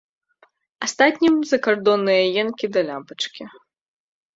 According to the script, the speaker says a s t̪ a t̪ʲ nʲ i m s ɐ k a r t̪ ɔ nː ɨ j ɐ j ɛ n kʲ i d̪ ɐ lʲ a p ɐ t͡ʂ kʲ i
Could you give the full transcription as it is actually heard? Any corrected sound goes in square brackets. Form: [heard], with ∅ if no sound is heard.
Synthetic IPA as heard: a s t̪ a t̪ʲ nʲ i m [z] ɐ k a r [d̪] ɔ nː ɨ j ɐ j ɛ n kʲ i d̪ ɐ lʲ a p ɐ t͡ʂ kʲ i